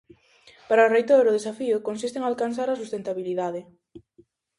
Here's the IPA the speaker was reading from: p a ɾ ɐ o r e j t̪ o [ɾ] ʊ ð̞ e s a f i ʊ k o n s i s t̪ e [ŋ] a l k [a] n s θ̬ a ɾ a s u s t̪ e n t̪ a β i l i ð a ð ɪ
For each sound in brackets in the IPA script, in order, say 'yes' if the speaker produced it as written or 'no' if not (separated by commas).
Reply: yes, yes, yes